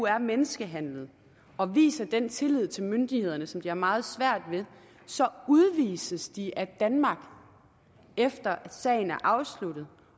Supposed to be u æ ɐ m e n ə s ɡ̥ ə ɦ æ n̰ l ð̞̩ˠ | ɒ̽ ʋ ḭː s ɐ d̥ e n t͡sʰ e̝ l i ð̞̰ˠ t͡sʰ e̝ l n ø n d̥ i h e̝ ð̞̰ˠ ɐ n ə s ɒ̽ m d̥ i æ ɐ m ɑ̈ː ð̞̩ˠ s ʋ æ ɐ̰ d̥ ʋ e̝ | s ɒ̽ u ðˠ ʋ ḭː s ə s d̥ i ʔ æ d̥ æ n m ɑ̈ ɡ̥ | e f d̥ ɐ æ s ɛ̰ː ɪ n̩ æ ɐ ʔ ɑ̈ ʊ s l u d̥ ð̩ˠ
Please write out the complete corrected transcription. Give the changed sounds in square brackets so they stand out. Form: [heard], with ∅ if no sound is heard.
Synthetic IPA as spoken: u æ ɐ m e n ə s ɡ̥ ə ɦ æ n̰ l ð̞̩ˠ | ɒ̽ ʋ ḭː s ɐ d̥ e n t͡sʰ e̝ l i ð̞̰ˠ t͡sʰ e̝ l [m] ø n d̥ i h e̝ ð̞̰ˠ ɐ n ə s ɒ̽ m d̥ i æ ɐ m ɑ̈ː ð̞̩ˠ s ʋ æ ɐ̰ d̥ ʋ e̝ | s ɒ̽ u ðˠ ʋ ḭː s ə s d̥ i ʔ æ d̥ æ n m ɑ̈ ɡ̥ | e f d̥ ɐ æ s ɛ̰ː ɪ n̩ æ ɐ ʔ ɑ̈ ʊ s l u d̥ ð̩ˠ